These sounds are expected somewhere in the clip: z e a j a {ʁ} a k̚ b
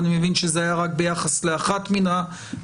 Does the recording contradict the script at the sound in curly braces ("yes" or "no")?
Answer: no